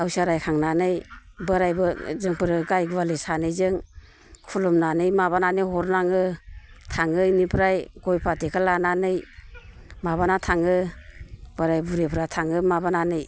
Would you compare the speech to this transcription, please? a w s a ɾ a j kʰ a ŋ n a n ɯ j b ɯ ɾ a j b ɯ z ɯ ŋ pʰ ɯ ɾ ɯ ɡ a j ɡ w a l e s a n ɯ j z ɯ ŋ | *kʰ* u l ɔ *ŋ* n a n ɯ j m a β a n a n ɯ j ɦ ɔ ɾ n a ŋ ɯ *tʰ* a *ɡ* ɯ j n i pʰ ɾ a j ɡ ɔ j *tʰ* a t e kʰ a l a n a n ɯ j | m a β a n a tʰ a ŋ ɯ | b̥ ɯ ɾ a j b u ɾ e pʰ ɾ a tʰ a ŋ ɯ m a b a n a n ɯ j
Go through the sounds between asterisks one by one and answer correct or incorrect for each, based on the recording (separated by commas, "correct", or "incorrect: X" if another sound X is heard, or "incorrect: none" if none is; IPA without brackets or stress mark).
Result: correct, incorrect: m, correct, incorrect: ŋ, incorrect: pʰ